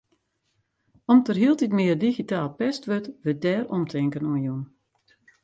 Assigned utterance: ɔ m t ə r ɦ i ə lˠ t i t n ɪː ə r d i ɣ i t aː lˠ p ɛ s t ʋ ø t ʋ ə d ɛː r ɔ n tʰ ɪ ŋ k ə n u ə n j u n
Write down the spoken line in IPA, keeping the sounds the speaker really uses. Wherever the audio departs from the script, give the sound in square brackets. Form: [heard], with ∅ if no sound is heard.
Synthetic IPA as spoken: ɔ m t ə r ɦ i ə lˠ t i t [m] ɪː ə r d i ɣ i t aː lˠ p ɛ s t ʋ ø t ʋ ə d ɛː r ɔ [m] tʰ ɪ ŋ k ə n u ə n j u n